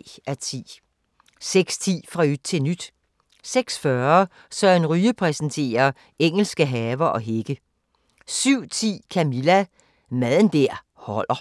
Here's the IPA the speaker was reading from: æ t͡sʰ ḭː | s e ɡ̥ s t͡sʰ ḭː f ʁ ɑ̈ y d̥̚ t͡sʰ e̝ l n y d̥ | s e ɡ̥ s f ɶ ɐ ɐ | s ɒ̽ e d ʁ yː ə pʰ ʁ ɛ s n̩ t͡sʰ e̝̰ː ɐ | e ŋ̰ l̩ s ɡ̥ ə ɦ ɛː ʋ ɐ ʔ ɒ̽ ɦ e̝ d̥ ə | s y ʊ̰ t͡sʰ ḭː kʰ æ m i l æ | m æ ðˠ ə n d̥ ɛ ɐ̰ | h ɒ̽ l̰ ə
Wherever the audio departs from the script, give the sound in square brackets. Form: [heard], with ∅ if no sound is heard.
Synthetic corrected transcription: æ t͡sʰ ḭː | s e ɡ̥ s t͡sʰ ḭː f ʁ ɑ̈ y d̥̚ t͡sʰ e̝ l n y d̥ | s e ɡ̥ s f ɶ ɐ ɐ | s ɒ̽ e [n] ʁ yː ə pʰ ʁ ɛ s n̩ t͡sʰ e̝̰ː ɐ | e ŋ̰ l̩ s ɡ̥ ə ɦ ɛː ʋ ɐ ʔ ɒ̽ ɦ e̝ [ɡ̥] ə | s y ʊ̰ t͡sʰ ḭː kʰ æ m i l æ | m æ ðˠ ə n d̥ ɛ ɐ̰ | h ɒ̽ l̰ [ɐ]